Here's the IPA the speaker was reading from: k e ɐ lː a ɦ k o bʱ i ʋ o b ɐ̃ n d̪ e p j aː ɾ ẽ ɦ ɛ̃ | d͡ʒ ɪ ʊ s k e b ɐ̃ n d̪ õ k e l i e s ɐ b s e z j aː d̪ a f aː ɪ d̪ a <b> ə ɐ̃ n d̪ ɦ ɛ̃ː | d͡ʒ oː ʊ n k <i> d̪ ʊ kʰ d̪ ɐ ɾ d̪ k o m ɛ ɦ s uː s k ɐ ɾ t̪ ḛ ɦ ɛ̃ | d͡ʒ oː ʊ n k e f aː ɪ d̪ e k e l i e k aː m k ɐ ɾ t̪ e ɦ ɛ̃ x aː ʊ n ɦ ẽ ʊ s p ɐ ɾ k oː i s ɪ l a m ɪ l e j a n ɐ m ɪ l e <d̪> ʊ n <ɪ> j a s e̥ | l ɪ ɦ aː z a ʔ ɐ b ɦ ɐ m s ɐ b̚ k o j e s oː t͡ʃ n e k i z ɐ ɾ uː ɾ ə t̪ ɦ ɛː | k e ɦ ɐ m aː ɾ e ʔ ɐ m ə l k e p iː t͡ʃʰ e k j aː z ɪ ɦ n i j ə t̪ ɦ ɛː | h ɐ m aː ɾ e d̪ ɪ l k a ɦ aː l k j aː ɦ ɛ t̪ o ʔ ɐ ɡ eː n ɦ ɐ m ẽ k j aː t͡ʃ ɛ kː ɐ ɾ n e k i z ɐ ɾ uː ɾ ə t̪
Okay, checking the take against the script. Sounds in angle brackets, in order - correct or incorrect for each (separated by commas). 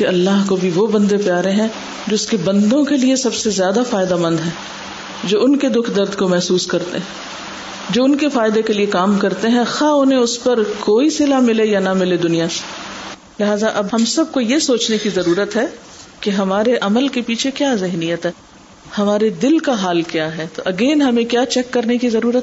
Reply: incorrect, incorrect, correct, incorrect